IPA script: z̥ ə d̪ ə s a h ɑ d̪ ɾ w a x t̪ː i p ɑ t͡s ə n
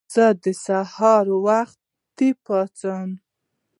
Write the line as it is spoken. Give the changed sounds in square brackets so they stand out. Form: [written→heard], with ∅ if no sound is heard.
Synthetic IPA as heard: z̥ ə d̪ ə s a h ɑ [d̪→∅] ɾ w a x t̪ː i p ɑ t͡s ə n